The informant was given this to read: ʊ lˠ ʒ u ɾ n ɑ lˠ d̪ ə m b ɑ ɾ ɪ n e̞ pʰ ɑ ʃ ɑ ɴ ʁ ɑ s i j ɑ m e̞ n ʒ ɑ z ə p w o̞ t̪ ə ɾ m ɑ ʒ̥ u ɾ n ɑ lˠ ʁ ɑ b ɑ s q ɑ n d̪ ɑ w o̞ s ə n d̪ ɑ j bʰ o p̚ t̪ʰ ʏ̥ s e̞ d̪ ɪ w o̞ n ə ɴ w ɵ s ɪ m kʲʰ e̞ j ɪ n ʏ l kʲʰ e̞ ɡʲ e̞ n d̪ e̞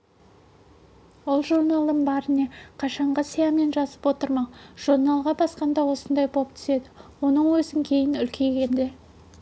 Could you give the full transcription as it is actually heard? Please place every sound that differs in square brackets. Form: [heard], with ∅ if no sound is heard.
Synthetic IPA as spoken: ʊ lˠ ʒ u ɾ n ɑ lˠ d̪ ə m b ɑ ɾ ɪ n e̞ [qʰ] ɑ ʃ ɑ ɴ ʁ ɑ s i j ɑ m e̞ n ʒ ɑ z ə p w o̞ t̪ ə ɾ m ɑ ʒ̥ u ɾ n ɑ lˠ ʁ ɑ b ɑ s q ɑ n d̪ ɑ w o̞ s ə n d̪ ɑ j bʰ o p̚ t̪ʰ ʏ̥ s e̞ d̪ ɪ w o̞ n ə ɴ w ɵ [z] ɪ [ŋ] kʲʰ e̞ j ɪ n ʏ l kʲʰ e̞ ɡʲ e̞ n d̪ e̞

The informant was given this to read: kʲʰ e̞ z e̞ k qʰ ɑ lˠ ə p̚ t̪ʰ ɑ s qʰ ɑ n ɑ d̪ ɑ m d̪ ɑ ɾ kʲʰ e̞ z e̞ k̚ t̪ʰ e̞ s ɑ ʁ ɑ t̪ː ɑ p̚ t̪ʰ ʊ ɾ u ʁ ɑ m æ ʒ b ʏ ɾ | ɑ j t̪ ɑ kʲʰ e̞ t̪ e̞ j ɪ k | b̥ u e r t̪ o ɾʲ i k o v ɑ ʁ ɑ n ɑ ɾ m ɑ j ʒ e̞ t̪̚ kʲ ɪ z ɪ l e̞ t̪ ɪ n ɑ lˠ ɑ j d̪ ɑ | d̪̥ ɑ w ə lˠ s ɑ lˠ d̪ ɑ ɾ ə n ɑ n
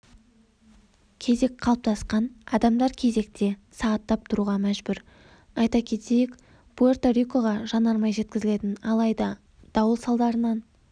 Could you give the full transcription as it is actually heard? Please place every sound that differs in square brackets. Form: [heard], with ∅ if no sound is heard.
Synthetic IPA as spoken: kʲʰ e̞ z e̞ k qʰ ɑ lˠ ə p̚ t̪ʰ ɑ s [q] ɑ n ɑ d̪ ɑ m d̪ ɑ ɾ kʲʰ e̞ z e̞ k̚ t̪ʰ e̞ s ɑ ʁ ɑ t̪ː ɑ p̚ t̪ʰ ʊ ɾ u ʁ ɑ m æ ʒ b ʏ ɾ | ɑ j t̪ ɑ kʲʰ e̞ t̪ e̞ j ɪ k | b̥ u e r t̪ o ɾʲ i k o [ʁ] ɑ [ʒ] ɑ n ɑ ɾ m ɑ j ʒ e̞ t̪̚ kʲ ɪ z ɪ l e̞ t̪ ɪ n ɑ lˠ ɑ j d̪ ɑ | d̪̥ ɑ w ə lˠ s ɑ lˠ d̪ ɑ ɾ ə n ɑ n

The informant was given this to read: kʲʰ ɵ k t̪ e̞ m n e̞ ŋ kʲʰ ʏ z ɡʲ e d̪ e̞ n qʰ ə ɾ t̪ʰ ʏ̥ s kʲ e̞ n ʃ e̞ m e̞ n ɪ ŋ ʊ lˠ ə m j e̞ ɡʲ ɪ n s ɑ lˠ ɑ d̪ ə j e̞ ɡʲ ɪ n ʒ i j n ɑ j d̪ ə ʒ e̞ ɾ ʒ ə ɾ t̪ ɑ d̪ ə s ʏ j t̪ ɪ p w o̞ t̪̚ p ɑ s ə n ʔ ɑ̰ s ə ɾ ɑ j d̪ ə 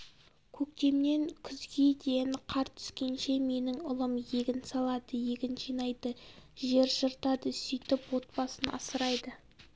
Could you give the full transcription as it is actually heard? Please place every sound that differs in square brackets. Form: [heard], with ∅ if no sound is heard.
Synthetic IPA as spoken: kʲʰ ɵ k t̪ e̞ m n e̞ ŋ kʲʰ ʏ z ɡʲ e d̪ e̞ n qʰ [ɑ] ɾ t̪ʰ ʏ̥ s kʲ e̞ n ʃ e̞ m e̞ n ɪ ŋ ʊ lˠ ə m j e̞ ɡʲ ɪ n s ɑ lˠ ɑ d̪ ə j e̞ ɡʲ ɪ n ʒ i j n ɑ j d̪ ə ʒ e̞ ɾ ʒ ə ɾ t̪ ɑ d̪ ə s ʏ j t̪ ɪ p w o̞ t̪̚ p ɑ s ə n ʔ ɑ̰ s ə ɾ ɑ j d̪ ə

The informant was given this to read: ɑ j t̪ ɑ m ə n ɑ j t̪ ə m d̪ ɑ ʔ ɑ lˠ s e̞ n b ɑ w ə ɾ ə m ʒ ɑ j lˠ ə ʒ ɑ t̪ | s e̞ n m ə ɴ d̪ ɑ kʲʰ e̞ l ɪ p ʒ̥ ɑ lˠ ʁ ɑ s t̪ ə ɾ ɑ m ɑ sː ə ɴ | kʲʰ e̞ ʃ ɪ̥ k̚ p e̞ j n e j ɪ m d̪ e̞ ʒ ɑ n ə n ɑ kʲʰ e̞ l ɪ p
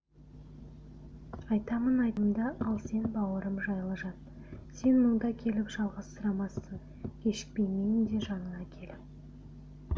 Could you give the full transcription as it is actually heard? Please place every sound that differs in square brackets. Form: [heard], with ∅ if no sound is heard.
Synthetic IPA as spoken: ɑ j t̪ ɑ m ə n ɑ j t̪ ə m d̪ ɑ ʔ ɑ lˠ s e̞ n b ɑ w ə ɾ ə m ʒ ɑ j lˠ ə ʒ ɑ t̪ | s e̞ n m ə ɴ d̪ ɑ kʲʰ e̞ l ɪ p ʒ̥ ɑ lˠ ʁ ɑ s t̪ ə ɾ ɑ m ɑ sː ə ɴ | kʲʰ e̞ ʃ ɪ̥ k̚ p e̞ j [m] e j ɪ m d̪ e̞ ʒ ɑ n ə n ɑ kʲʰ e̞ l ɪ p

